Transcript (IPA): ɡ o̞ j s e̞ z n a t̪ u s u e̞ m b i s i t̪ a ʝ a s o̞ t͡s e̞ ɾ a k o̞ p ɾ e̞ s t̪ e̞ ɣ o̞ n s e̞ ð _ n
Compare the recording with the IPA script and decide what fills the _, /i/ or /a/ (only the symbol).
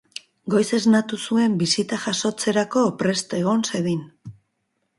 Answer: i